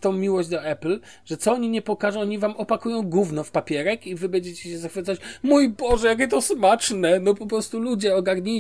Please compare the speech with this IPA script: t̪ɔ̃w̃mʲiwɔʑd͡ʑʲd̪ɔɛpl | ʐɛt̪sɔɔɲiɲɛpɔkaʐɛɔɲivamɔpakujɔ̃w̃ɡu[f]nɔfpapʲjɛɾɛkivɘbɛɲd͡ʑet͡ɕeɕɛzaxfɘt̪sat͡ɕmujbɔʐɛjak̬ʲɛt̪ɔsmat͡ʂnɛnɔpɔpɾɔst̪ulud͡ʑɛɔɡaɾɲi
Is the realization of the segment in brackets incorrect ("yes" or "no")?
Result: yes